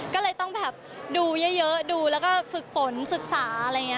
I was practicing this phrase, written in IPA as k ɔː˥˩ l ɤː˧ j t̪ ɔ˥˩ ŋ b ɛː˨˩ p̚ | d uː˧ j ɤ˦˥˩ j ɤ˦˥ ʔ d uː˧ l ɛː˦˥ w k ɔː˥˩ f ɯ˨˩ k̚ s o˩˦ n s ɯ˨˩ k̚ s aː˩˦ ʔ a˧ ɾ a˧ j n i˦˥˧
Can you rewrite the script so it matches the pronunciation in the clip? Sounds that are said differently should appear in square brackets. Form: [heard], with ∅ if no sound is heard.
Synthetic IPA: k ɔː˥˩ l ɤː˧ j t̪ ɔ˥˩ ŋ b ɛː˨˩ p̚ | d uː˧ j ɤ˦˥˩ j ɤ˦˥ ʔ d uː˧ l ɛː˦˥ w k ɔː˥˩ f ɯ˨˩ k̚ [f] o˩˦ n s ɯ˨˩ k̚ s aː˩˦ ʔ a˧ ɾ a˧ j [ŋ] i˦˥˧